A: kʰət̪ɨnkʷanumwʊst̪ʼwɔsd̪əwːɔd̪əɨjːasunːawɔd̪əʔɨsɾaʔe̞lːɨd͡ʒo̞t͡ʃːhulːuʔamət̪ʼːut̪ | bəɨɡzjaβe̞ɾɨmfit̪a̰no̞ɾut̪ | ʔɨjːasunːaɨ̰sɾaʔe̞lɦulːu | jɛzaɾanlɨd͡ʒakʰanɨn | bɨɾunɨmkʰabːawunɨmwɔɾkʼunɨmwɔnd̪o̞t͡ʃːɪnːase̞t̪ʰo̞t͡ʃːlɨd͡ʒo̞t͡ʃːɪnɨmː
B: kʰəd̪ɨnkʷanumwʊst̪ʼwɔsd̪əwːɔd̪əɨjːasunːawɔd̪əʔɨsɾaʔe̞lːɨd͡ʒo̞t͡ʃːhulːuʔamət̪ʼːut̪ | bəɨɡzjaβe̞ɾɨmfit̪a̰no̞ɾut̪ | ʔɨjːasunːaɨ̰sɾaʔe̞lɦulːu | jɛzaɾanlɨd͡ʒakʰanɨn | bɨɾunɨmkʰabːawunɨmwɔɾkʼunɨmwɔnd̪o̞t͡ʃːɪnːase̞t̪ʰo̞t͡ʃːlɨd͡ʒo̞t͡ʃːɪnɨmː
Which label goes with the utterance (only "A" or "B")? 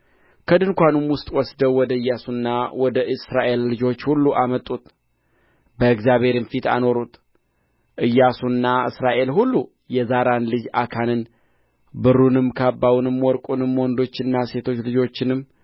B